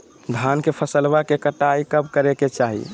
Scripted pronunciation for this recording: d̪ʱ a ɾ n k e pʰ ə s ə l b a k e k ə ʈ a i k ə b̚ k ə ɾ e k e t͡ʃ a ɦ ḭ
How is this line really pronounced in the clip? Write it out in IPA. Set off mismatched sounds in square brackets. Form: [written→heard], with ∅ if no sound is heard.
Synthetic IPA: d̪ʱ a [ɾ→∅] n k e pʰ ə s ə l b a k e k ə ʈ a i k ə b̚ k ə ɾ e k e t͡ʃ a ɦ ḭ